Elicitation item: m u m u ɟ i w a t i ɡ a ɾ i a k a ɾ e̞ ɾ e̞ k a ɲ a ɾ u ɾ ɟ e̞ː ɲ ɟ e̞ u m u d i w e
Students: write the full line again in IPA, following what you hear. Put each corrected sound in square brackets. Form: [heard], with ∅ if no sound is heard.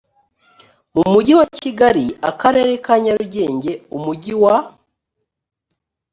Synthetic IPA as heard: m u m u ɟ i w a [c] i ɡ a ɾ i a k a ɾ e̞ ɾ e̞ k a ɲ a ɾ u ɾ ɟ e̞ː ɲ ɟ e̞ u m u [ɟ] i w [a]